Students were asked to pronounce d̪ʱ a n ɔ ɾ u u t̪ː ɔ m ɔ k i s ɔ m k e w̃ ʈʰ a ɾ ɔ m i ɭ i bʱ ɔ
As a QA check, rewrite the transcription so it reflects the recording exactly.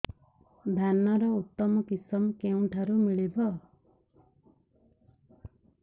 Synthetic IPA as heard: d̪ʱ a n ɔ ɾ ɔ u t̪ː ɔ m ɔ k i s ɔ m k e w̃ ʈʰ a ɾ u m i ɭ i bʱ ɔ